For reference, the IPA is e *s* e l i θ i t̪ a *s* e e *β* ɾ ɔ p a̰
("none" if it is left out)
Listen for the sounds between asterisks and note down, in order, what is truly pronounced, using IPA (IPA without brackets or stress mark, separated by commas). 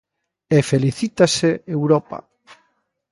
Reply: f, s, w